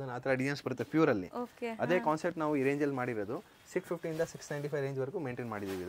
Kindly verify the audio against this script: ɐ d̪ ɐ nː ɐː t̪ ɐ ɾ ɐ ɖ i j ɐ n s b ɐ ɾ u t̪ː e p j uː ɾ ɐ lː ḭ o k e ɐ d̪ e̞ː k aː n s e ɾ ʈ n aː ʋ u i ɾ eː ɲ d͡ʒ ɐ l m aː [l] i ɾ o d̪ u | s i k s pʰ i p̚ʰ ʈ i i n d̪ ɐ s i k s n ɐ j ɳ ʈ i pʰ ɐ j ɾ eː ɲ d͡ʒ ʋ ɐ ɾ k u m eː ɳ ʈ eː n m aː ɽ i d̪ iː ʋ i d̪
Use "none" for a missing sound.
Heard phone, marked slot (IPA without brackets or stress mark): ɽ